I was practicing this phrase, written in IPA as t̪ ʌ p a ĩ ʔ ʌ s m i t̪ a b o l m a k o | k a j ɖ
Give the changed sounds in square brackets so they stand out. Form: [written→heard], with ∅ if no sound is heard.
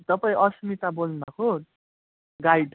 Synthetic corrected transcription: t̪ ʌ p a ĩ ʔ ʌ s m i t̪ a b o l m a k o | [k→ɡ] a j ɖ